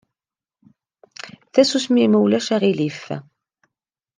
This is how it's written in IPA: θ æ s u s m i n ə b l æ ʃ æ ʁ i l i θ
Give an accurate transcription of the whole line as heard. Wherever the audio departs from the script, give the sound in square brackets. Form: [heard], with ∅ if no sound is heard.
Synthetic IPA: θ æ s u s m i [m] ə [w] l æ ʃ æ ʁ i l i [f]